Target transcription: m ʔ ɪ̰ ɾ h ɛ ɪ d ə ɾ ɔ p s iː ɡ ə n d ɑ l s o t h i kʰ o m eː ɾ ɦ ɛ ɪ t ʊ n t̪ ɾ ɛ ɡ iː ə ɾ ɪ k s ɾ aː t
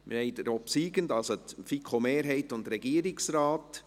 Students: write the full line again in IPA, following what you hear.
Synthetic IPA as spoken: m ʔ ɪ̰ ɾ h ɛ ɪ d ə ɾ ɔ p s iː ɡ ə n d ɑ l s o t f i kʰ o m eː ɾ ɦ ɛ ɪ t ʊ n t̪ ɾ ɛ ɡ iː ə ɾ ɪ k s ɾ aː t